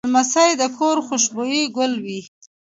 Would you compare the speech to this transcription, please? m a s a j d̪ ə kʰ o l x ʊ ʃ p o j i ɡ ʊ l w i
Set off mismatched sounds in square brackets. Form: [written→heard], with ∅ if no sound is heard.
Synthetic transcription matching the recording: m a s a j d̪ ə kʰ o [l→ɾ] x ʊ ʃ [p→b] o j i ɡ ʊ l w i